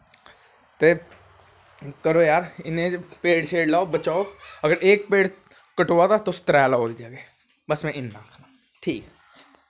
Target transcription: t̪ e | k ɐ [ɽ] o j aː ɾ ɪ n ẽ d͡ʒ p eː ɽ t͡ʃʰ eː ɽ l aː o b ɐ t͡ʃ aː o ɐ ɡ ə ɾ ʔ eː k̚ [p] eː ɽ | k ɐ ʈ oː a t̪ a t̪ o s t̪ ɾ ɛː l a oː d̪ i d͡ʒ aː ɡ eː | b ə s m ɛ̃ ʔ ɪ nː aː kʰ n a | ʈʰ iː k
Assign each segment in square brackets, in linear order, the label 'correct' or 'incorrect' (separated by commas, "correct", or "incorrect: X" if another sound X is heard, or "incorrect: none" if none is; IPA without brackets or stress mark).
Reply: incorrect: ɾ, correct